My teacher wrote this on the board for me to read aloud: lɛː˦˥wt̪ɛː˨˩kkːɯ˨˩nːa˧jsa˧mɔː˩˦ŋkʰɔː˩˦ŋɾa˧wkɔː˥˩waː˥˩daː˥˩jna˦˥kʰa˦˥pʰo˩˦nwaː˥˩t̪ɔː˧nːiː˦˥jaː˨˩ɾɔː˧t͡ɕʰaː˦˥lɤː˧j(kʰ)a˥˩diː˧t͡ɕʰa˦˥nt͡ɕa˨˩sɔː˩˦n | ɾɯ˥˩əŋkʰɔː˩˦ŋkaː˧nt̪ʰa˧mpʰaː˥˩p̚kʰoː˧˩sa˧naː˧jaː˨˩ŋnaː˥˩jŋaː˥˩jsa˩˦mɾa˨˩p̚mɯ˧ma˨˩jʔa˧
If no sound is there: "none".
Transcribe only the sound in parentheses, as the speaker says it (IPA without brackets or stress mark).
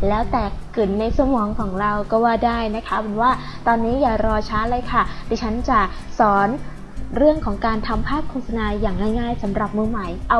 kʰ